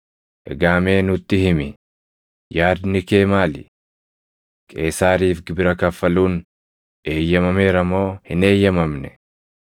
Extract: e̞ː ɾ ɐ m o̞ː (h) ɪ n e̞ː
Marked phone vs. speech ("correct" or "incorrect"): correct